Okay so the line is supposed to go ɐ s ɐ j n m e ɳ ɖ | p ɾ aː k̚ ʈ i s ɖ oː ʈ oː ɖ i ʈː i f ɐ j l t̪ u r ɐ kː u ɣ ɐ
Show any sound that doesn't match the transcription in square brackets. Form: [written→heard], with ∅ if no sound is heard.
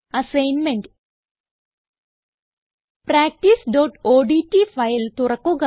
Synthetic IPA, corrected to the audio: ɐ s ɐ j n m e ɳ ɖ | p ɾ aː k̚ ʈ i s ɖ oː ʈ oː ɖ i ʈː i f ɐ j l t̪ u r ɐ kː u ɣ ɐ

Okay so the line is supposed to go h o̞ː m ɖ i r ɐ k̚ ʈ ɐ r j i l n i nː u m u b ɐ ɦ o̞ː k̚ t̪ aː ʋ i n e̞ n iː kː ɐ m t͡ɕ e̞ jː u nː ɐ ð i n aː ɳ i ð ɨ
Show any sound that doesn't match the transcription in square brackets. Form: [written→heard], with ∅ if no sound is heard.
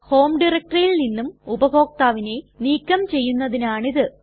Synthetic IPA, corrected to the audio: h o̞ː m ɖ i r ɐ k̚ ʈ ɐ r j i l n i nː u m u b ɐ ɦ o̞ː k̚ t̪ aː ʋ i n e̞ n iː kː ɐ m t͡ɕ e̞ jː u nː ɐ ð i n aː ɳ i ð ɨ

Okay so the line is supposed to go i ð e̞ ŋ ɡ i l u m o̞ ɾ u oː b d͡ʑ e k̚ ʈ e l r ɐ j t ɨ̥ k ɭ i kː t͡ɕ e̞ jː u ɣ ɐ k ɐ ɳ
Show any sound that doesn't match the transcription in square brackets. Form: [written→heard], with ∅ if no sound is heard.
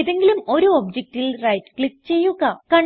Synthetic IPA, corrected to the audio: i ð e̞ ŋ ɡ i l u m o̞ ɾ u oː b d͡ʑ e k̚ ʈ [e→i] l r ɐ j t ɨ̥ k ɭ i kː t͡ɕ e̞ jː u ɣ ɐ k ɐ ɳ

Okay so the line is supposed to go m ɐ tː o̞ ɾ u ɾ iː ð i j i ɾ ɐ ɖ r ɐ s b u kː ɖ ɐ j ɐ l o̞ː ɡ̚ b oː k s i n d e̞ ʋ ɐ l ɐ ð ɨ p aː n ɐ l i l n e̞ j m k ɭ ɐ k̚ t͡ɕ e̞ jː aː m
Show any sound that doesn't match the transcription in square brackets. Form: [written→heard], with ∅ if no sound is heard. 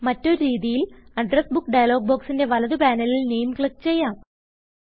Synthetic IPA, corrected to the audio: m ɐ tː o̞ ɾ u ɾ iː ð i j i [ɾ→l] ɐ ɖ r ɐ s b u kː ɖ ɐ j ɐ l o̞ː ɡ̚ b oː k s i n d e̞ ʋ ɐ l ɐ ð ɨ p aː n ɐ l i l n e̞ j m k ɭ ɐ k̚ t͡ɕ e̞ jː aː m

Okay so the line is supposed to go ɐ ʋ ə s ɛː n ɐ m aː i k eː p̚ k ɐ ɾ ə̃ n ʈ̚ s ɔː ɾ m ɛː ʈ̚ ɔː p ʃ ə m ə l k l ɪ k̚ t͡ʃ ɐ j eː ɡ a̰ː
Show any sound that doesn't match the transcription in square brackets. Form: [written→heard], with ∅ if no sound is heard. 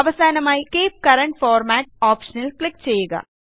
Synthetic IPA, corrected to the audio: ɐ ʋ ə s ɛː n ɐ m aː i k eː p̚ k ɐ ɾ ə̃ [n→ɳ] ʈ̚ [s→f] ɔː ɾ m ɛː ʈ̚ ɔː p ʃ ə [m→n] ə l k l ɪ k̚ t͡ʃ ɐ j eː ɡ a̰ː

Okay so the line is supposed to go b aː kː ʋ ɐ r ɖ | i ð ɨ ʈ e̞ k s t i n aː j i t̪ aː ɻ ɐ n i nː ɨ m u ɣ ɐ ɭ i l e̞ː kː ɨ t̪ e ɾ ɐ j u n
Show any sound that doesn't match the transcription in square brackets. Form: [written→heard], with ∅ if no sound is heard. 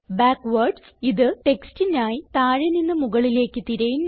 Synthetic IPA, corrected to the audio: b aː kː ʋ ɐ r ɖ | i ð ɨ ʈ e̞ k s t i n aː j i t̪ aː ɻ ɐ n i nː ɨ m u ɣ ɐ ɭ i l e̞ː kː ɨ t̪ [e→i] ɾ ɐ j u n

